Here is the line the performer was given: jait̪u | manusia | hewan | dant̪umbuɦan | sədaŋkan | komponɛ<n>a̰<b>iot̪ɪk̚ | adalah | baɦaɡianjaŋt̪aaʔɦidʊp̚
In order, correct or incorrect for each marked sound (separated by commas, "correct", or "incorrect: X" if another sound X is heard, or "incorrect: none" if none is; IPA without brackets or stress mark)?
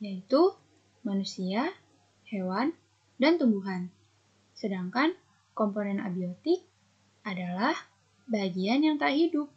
correct, correct